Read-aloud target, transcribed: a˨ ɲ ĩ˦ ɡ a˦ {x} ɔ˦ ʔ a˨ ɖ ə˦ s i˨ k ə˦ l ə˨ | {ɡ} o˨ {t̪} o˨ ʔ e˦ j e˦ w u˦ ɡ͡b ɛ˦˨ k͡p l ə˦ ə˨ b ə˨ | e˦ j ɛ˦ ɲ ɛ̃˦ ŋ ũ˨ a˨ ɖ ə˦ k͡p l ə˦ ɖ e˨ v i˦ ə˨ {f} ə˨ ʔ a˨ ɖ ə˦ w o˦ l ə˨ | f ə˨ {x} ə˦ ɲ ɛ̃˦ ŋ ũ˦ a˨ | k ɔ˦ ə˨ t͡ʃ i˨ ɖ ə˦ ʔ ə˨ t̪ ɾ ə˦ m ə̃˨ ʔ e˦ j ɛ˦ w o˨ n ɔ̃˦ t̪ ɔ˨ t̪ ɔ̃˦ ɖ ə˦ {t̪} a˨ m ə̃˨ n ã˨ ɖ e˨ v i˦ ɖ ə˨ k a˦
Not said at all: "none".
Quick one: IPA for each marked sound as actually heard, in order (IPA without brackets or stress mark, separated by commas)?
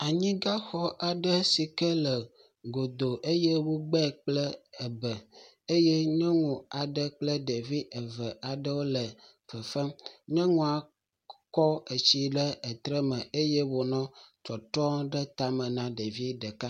x, ɡ, d̪, v, f, t̪